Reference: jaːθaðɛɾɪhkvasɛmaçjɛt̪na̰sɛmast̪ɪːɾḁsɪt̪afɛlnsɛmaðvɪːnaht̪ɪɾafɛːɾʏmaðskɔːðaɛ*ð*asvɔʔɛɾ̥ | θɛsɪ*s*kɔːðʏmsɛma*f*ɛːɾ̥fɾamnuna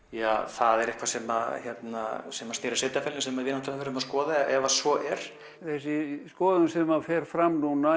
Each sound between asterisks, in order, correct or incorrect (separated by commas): incorrect, correct, correct